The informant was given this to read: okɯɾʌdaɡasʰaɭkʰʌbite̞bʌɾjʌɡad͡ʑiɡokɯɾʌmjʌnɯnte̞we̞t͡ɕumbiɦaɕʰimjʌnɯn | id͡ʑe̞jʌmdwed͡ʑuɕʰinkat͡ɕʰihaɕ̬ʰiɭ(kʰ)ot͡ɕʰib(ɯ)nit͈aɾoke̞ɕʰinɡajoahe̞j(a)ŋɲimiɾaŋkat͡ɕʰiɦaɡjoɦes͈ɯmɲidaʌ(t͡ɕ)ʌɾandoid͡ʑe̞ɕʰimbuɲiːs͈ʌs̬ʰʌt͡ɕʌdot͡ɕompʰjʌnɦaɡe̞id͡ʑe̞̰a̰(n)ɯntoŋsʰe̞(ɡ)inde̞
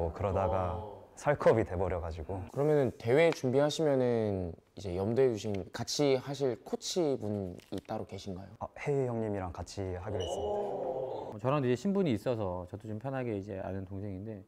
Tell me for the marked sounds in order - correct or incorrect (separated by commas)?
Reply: correct, incorrect, incorrect, correct, correct, incorrect